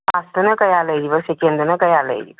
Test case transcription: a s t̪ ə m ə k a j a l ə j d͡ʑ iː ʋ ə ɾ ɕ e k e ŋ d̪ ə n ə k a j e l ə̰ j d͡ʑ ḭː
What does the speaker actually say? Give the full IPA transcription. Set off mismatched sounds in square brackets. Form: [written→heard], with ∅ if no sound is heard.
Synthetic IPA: a s t̪ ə [m→n] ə k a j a l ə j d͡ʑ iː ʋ ə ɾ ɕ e k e [ŋ→n] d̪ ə n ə k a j [e→a] l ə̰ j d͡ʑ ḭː